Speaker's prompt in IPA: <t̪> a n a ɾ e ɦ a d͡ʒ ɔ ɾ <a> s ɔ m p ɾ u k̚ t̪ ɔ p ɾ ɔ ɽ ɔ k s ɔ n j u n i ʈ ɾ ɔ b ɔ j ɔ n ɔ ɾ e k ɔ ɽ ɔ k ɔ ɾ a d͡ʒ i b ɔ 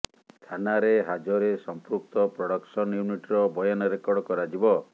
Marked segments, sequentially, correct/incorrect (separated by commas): incorrect, incorrect